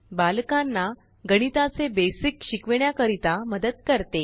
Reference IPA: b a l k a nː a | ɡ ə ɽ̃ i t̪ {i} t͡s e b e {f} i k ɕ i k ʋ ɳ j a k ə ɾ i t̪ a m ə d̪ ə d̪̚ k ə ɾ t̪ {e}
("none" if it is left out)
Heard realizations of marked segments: a, s, e

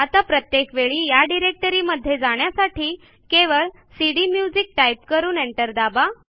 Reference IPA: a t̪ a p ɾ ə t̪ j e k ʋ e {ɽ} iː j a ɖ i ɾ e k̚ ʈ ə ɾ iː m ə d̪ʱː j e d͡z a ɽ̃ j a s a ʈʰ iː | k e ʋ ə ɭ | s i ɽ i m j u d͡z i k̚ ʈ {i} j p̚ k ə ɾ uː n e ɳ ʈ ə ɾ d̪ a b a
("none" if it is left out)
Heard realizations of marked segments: ɭ, a

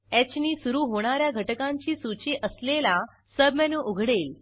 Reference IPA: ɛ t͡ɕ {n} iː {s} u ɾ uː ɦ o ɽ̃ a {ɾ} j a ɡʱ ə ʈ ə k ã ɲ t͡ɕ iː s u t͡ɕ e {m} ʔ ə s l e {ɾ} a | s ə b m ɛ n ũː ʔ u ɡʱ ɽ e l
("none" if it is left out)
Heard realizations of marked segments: n, s, ɾ, none, l

